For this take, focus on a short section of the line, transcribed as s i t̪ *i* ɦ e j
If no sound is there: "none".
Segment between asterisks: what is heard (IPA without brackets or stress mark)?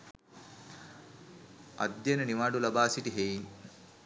i